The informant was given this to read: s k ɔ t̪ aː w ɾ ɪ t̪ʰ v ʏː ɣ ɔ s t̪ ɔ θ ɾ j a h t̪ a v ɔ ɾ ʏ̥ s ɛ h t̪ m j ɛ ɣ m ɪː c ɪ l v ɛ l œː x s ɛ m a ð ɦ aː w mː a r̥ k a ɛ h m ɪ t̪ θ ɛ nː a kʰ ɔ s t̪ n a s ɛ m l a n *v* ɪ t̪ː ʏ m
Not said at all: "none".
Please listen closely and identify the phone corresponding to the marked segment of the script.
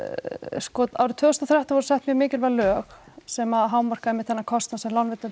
v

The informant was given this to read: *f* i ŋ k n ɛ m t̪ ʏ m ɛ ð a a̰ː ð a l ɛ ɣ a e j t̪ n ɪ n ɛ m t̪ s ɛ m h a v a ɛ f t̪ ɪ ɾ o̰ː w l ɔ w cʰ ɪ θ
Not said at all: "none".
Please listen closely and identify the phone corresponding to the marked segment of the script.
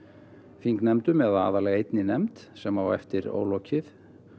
f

